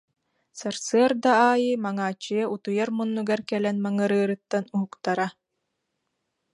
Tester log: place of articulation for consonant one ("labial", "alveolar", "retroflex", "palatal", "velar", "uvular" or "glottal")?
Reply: alveolar